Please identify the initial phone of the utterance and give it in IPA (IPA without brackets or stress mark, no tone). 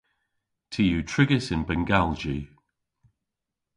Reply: tʰ